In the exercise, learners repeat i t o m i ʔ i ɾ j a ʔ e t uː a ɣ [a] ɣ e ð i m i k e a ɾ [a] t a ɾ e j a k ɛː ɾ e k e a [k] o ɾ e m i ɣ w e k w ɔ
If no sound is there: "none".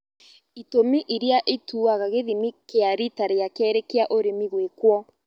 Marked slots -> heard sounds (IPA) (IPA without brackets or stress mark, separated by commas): a, i, ʔ